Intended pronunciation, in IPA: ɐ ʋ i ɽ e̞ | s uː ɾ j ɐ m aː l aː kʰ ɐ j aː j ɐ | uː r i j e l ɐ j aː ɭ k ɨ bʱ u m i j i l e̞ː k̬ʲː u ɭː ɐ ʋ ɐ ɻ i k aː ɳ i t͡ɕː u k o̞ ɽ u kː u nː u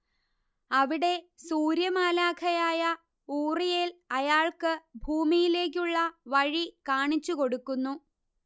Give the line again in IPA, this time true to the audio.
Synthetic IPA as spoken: ɐ ʋ i ɽ e̞ | s uː ɾ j ɐ m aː l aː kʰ ɐ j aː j ɐ | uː r i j e l ɐ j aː ɭ k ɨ bʱ uː m i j i l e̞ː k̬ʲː u ɭː ɐ ʋ ɐ ɻ i k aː ɳ i t͡ɕː u k o̞ ɽ u kː u nː u